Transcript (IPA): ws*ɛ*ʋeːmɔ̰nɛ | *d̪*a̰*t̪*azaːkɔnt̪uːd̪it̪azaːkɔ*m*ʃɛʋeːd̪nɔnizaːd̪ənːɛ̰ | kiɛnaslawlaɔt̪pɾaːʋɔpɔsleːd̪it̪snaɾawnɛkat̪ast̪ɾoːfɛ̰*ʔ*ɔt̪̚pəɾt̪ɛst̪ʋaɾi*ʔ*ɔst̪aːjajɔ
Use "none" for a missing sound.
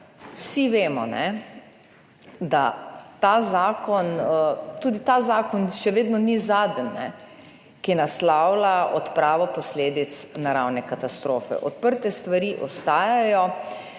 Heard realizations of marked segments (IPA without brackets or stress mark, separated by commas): i, d̪, t̪, n, ʔ, ʔ